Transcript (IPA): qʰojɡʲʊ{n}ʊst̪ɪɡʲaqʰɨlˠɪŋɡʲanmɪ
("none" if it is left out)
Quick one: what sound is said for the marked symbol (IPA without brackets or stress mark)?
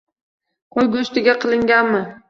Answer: none